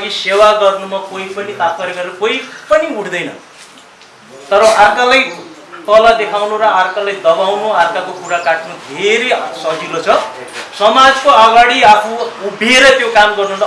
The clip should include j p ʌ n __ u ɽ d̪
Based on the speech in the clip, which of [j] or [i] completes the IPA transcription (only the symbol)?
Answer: i